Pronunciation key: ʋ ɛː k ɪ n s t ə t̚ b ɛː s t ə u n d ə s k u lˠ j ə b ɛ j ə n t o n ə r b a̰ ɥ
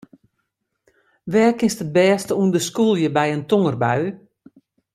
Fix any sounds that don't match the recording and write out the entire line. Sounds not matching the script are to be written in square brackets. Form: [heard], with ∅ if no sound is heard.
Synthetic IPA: ʋ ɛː k ɪ n s t ə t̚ b ɛː s t ə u n d ə s k u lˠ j ə b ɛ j ə n t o [ŋ] ə r b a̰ ɥ

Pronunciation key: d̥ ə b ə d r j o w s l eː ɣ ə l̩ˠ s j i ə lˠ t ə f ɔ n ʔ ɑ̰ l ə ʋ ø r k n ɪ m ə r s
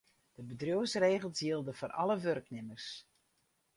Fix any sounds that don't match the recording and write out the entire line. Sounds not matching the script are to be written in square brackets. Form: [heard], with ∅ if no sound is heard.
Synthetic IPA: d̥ ə b ə d r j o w s [r] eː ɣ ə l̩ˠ s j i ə lˠ [d] ə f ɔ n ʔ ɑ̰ l ə ʋ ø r k n ɪ m ə r s

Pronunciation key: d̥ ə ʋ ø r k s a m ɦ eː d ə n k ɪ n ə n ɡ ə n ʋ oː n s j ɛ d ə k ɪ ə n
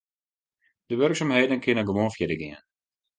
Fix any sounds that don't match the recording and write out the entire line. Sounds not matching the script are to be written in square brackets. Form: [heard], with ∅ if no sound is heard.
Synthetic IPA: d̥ ə ʋ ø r k s a m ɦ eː d ə n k ɪ n ə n ɡ ə [∅] ʋ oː n [f] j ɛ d ə [ɡ] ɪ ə n

